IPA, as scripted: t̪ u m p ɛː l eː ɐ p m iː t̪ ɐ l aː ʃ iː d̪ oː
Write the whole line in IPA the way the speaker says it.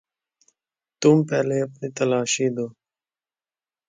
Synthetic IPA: t̪ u m p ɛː l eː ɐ p n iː t̪ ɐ l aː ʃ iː d̪ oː